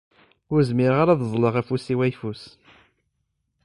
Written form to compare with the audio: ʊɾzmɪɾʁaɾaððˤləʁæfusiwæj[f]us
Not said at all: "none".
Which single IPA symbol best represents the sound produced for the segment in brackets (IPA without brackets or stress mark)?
f